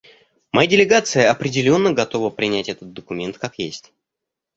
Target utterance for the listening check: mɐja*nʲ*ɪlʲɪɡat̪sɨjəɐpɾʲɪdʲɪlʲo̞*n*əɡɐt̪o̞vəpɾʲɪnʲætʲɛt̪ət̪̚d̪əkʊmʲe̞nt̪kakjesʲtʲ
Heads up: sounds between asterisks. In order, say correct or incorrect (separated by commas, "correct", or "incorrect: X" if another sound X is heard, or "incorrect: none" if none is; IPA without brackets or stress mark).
incorrect: dʲ, incorrect: nː